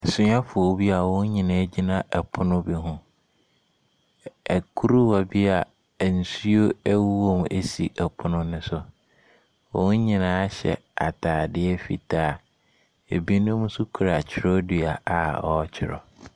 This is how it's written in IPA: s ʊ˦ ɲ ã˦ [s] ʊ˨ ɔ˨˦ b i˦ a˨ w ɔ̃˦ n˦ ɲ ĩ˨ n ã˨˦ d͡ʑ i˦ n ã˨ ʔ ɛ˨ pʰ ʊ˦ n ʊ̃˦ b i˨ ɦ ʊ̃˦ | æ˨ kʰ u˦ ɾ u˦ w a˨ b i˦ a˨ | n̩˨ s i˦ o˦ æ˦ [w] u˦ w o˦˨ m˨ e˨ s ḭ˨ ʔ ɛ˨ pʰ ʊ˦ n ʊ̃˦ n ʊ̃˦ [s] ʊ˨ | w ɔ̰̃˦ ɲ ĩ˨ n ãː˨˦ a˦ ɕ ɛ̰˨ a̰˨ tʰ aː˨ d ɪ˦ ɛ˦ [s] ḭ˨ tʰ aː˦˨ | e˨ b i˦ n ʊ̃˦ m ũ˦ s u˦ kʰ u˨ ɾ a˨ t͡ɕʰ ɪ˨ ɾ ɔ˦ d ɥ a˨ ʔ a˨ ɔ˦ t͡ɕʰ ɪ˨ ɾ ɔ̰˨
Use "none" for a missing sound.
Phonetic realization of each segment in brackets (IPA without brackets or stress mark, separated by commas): f, w, s, f